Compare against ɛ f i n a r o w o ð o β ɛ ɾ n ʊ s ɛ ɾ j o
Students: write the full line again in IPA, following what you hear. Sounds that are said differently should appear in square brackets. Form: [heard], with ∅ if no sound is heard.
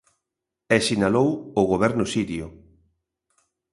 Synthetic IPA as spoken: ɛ [s] i n a [l] o w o [ɣ] o β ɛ ɾ n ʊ s [i] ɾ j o

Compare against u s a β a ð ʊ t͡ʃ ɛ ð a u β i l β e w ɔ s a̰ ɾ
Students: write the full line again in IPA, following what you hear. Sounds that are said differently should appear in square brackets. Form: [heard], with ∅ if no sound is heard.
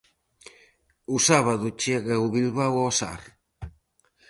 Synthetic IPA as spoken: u s a β a ð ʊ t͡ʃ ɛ [ɣ] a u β i l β [a] w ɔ s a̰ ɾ

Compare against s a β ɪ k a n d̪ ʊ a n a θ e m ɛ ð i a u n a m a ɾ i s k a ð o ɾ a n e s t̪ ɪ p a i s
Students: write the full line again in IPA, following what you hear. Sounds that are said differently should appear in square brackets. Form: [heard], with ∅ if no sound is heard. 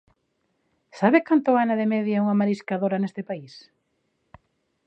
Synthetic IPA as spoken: s a β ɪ k a n [t̪] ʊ a n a [ð] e m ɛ ð [j] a u [ŋ] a m a ɾ i s k a ð o ɾ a n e s t̪ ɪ p a i s

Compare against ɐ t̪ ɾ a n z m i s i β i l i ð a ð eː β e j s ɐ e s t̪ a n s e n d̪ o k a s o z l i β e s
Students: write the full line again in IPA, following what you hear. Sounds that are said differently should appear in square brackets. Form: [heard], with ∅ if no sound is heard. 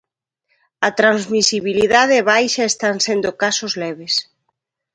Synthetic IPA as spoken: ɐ t̪ ɾ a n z m i s i β i l i ð a ð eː β [a] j [ʃ] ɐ e s t̪ a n s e n d̪ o k a s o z l [ɛ] β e s

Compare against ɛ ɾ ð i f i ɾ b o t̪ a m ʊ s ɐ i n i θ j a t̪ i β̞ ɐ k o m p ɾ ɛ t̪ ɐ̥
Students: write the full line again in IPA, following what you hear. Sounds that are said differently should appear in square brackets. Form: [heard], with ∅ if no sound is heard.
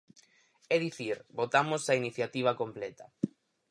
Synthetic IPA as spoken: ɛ [∅] ð i [θ] i ɾ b o t̪ a m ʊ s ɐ i n i θ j a t̪ i β̞ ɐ k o m p [l] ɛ t̪ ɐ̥

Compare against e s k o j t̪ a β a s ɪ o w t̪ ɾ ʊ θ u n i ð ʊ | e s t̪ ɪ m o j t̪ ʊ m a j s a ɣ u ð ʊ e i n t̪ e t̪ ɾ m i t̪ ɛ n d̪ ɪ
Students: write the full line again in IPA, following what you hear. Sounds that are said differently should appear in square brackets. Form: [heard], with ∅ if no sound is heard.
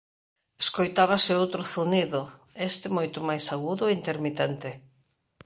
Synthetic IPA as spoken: e s k o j t̪ a β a s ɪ o w t̪ ɾ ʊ θ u n i ð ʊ | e s t̪ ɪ m o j t̪ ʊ m a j s a ɣ u ð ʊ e i n t̪ e [∅] ɾ m i t̪ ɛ n [t̪] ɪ

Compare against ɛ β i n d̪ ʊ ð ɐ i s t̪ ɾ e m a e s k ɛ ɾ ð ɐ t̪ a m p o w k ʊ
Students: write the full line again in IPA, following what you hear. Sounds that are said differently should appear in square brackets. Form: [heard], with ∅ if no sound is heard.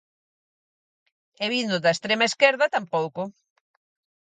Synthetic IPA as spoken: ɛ β i n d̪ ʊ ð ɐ [e] s t̪ ɾ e m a e s k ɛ ɾ ð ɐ t̪ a m p o w k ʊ

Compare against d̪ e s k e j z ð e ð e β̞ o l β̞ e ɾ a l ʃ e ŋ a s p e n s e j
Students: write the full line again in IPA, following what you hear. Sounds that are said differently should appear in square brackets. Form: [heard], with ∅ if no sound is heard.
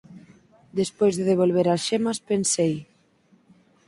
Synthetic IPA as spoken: d̪ e s [p] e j z ð e ð e β̞ o l β̞ e ɾ a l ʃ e [m] a s p e n s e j

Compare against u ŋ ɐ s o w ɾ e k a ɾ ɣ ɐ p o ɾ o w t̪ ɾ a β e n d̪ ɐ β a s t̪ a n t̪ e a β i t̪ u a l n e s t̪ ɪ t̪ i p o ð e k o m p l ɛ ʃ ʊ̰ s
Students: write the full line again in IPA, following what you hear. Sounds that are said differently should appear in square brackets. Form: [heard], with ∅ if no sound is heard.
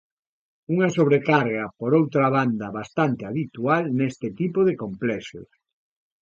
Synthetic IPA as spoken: u ŋ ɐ s o [β] ɾ e k a ɾ ɣ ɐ p o ɾ o w t̪ ɾ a β [a] n d̪ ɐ β a s t̪ a n t̪ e a β i t̪ u a l n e s t̪ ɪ t̪ i p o ð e k o m p l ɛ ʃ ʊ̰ s

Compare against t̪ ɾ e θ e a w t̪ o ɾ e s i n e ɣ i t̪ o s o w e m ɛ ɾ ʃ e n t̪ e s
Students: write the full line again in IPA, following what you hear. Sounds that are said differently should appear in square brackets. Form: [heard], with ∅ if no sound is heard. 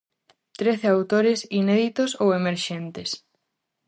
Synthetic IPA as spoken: t̪ ɾ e θ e a w t̪ o ɾ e s i n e [ð] i t̪ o s o w e m [e] ɾ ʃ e n t̪ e s

